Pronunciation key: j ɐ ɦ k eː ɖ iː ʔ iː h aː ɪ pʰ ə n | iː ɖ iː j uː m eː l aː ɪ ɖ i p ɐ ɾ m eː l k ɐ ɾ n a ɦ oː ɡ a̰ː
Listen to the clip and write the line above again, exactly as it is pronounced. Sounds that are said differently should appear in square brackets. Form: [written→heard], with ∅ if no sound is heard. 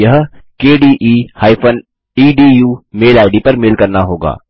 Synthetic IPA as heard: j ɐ ɦ k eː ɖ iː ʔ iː h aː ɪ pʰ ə n | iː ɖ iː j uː m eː l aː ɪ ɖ i p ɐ ɾ m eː l k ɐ ɾ n a ɦ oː ɡ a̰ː